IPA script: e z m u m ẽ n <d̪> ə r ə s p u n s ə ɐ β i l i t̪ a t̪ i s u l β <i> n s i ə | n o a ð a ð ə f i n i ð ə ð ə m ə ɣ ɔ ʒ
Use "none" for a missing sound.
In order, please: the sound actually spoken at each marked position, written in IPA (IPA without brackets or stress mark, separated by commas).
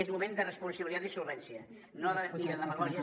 d̪, ɛ